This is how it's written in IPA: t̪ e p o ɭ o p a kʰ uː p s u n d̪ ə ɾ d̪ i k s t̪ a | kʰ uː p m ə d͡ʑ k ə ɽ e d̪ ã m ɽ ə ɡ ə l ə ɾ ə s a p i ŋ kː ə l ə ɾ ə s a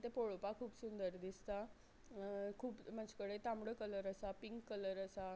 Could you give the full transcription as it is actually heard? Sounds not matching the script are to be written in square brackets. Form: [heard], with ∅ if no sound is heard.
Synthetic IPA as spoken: t̪ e p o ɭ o p a kʰ uː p s u n d̪ ə ɾ d̪ i [∅] s t̪ a | kʰ uː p m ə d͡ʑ k ə ɽ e [t̪] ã m ɽ ə [k] ə l ə ɾ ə s a p i ŋ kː ə l ə ɾ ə s a